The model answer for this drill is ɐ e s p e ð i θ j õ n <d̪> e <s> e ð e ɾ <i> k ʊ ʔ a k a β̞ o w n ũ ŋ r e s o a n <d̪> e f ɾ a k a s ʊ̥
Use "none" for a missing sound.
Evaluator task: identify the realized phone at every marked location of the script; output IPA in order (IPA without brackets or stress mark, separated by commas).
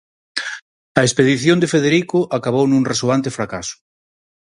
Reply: d̪, f, i, t̪